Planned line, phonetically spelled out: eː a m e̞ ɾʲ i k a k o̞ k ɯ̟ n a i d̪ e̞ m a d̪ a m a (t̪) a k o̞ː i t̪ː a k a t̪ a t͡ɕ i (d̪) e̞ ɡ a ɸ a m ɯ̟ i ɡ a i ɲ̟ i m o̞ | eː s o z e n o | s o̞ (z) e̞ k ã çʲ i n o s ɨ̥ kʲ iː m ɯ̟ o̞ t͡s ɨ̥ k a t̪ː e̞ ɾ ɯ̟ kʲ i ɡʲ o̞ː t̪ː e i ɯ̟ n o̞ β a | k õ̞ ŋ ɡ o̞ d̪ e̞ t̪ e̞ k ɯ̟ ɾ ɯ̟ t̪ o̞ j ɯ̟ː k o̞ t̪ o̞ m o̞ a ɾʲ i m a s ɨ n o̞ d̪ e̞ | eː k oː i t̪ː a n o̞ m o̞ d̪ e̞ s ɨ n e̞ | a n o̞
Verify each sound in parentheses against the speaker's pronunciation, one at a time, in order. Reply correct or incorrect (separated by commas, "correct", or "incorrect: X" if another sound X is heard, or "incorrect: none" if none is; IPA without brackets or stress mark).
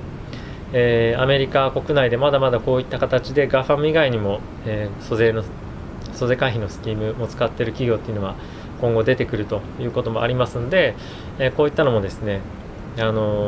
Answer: incorrect: d̪, correct, correct